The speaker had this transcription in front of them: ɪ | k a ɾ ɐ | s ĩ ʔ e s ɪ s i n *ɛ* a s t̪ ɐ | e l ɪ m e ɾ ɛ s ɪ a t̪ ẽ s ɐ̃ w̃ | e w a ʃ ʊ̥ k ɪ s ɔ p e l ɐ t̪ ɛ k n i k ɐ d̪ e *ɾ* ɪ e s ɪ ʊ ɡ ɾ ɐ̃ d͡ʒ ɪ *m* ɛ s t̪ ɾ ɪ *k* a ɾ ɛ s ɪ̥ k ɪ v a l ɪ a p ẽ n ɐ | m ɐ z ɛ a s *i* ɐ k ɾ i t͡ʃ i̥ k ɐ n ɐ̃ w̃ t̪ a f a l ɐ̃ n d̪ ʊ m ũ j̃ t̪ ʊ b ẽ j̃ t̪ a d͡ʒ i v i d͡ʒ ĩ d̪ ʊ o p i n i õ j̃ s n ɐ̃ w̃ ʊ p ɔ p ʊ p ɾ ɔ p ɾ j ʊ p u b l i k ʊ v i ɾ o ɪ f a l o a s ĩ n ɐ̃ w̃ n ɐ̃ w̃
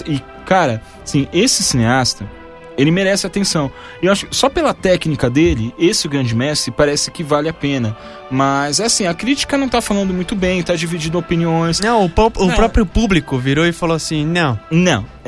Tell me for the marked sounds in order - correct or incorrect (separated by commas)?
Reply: incorrect, incorrect, correct, incorrect, incorrect